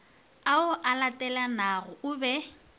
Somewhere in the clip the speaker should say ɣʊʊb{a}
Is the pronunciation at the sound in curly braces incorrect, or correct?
incorrect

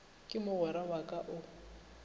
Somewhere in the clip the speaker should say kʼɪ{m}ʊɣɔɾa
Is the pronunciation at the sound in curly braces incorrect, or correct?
correct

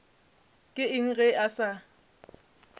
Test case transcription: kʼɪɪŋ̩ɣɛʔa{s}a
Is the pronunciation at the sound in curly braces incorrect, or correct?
correct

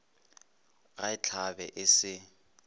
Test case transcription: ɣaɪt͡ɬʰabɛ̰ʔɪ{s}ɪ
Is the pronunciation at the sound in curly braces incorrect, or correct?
correct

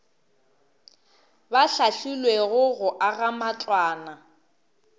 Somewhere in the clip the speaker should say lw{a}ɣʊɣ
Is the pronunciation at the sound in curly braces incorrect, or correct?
incorrect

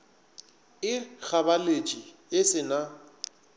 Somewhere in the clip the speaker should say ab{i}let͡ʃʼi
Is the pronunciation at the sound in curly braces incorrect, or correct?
incorrect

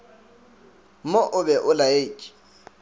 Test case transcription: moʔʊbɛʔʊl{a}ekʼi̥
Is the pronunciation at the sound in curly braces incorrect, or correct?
correct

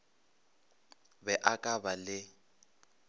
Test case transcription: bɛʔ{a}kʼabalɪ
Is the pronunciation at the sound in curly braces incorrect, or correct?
correct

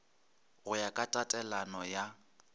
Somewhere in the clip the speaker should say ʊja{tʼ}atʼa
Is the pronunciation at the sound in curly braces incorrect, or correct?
incorrect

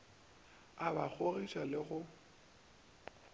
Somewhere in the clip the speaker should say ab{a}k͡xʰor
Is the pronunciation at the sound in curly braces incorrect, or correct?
correct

